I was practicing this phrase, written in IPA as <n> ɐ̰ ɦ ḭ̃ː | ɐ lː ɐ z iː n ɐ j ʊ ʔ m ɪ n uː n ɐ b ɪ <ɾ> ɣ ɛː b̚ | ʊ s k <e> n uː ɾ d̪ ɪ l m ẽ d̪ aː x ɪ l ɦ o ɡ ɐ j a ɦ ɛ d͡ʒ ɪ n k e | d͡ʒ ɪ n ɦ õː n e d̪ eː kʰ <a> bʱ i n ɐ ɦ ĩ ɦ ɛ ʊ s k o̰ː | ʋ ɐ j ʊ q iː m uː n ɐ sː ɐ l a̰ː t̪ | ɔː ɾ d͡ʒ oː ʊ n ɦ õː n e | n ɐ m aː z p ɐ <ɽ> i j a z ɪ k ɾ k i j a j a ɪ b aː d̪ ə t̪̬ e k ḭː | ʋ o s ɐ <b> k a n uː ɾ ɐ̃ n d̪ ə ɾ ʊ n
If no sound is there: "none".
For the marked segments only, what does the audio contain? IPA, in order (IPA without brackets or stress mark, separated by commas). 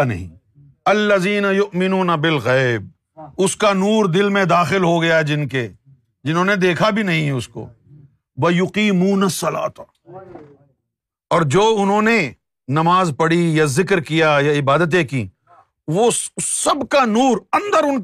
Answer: n, l, a, a, ɽ, b